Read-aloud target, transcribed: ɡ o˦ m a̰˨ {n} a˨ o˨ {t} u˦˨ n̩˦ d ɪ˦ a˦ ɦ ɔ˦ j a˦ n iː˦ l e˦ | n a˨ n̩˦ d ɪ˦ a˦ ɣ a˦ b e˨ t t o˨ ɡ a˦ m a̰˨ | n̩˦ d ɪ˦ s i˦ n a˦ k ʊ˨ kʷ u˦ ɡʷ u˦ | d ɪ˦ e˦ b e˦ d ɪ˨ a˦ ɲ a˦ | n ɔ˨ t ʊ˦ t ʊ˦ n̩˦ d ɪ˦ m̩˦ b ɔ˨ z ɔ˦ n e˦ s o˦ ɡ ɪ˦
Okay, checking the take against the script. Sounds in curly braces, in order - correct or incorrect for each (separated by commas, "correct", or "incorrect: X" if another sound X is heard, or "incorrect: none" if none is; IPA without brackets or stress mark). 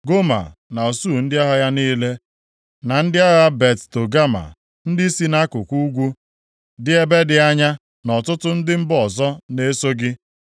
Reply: correct, incorrect: s